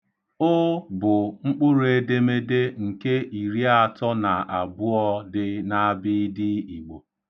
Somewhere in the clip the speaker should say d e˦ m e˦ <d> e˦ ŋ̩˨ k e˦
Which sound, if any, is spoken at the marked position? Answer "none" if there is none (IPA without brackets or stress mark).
d